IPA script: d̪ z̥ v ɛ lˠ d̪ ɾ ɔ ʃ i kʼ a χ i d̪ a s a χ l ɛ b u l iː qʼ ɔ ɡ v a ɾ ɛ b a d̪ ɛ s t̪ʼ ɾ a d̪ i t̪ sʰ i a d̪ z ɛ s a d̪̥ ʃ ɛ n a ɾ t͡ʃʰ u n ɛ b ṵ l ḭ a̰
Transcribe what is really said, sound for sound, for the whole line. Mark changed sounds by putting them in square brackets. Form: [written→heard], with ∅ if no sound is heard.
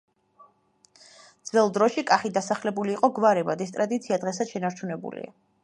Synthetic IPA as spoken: d̪ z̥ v ɛ lˠ d̪ ɾ ɔ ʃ i kʼ a χ i d̪ a s a χ l ɛ b u l iː qʼ ɔ ɡ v a ɾ ɛ b a d̪ ɛ s t̪ʼ ɾ a d̪ i t̪ sʰ i a d̪ [z→ʁ] ɛ s a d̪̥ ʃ ɛ n a ɾ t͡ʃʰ u n ɛ b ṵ l ḭ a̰